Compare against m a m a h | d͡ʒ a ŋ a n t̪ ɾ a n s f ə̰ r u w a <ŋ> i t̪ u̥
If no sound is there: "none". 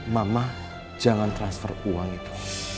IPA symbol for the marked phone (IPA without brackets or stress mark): ŋ